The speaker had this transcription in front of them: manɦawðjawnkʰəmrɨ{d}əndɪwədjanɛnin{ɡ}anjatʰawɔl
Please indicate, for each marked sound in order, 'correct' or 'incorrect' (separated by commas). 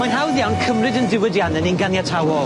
correct, correct